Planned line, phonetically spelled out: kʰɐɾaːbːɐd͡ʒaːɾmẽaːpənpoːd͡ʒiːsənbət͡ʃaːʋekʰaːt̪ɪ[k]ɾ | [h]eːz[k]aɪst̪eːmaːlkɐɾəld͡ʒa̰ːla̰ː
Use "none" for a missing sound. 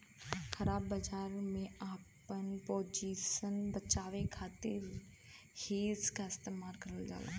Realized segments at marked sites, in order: none, h, k

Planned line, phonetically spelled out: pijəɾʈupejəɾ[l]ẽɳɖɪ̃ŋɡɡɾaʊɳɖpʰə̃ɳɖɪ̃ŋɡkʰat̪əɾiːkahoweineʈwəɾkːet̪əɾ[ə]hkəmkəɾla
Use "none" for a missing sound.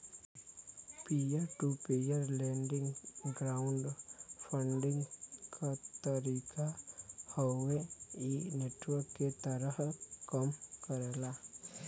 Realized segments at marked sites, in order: l, ə

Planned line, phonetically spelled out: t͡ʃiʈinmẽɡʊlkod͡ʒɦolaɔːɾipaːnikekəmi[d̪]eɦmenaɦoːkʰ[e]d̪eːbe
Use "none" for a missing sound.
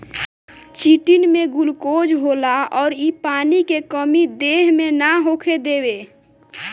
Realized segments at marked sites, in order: d̪, e

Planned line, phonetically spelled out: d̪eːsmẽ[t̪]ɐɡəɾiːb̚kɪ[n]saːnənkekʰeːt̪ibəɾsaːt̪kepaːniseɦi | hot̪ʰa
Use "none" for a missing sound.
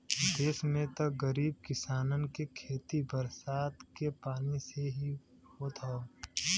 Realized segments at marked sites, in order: t̪, none

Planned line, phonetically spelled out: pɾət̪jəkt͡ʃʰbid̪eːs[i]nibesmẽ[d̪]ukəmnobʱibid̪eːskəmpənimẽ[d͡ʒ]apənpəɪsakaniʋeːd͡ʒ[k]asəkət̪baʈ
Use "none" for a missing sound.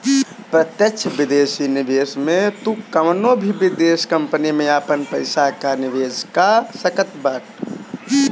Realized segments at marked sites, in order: i, t̪, none, k

